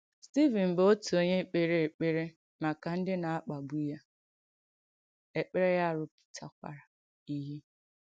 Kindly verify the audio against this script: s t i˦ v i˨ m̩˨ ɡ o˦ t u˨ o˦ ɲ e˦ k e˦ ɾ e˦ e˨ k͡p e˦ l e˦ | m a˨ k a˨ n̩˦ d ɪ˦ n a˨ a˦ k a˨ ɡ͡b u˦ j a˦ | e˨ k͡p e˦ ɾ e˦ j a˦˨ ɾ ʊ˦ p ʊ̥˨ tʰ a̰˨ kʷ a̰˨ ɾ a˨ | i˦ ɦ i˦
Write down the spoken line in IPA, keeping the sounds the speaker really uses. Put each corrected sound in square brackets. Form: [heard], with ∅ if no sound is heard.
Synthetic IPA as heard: s t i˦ v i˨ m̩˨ [b] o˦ t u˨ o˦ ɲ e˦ [k͡p] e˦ ɾ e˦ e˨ k͡p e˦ [ɾ] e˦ | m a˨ k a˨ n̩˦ d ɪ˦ n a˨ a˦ [k͡p] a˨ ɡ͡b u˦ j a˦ | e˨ k͡p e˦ ɾ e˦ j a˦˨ ɾ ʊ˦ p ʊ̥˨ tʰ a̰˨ kʷ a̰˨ ɾ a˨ | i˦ ɦ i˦